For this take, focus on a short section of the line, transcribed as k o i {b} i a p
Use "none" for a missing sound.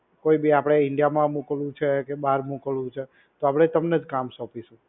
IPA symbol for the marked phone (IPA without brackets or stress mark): b